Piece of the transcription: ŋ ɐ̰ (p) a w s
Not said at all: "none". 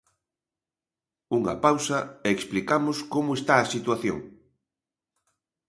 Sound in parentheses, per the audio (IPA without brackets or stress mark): p